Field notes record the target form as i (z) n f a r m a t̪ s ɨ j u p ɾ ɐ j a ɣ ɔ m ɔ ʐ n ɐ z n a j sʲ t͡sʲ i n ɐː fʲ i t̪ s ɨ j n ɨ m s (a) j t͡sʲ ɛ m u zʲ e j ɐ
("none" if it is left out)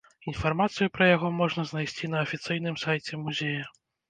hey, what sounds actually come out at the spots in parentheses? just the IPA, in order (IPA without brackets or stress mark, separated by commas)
none, a